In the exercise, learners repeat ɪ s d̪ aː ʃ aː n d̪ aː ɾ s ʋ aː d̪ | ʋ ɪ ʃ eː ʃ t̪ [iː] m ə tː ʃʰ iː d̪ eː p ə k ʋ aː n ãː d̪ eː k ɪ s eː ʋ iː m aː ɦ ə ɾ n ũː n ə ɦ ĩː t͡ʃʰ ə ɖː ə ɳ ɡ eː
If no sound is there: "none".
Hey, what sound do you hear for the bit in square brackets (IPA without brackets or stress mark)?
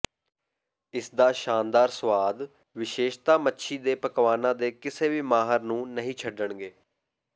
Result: aː